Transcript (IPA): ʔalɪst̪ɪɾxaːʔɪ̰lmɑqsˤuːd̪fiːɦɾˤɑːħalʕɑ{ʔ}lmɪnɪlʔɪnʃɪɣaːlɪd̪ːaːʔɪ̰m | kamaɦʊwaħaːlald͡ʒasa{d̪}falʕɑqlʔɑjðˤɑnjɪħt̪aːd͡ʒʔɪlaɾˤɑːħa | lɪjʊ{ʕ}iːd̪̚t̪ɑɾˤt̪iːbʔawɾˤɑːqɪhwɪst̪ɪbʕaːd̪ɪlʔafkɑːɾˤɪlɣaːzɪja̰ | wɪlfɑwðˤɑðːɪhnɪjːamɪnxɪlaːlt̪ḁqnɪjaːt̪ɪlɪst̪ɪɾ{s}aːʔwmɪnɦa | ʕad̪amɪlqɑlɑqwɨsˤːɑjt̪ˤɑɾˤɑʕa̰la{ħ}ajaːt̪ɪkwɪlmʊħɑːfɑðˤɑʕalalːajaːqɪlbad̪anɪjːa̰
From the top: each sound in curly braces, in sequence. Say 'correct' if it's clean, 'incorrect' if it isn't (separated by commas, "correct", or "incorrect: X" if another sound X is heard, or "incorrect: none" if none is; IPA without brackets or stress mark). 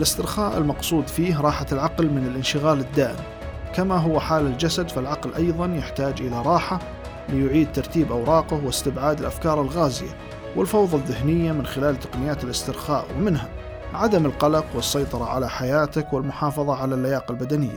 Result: incorrect: q, correct, correct, incorrect: x, correct